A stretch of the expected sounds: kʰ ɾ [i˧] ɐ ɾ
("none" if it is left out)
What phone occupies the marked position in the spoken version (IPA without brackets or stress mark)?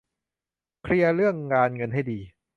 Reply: i˧